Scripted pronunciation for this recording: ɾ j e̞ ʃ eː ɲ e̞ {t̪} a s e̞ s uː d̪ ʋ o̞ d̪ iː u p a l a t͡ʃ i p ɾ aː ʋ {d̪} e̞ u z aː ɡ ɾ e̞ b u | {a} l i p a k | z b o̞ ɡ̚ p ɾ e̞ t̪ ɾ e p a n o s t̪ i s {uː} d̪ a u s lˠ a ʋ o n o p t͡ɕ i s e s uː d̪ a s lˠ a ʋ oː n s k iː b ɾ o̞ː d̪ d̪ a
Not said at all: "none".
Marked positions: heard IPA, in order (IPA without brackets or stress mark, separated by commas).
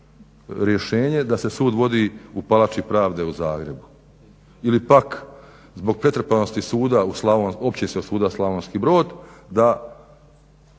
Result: d̪, d̪, i, uː